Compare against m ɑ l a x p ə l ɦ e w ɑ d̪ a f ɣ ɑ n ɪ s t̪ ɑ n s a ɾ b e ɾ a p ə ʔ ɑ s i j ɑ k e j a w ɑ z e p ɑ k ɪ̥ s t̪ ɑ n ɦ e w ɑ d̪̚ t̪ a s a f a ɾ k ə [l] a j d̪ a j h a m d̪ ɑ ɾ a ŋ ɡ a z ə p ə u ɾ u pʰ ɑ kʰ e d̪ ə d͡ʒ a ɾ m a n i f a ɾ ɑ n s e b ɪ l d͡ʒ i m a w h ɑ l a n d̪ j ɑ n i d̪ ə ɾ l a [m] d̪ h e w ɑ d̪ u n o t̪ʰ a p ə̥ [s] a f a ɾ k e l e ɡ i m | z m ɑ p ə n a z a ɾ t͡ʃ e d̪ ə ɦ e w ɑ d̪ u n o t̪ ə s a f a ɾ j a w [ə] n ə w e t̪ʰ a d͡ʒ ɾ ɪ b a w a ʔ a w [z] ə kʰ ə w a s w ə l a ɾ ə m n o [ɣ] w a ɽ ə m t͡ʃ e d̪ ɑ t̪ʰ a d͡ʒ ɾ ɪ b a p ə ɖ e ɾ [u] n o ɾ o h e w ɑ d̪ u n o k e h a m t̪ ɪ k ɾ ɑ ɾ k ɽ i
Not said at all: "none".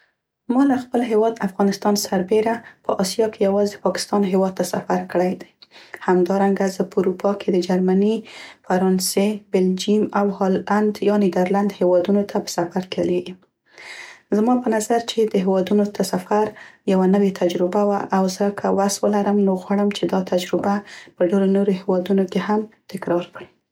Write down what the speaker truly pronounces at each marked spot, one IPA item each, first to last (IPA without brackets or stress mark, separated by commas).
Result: ɽ, n, s, a, z, ɣ, o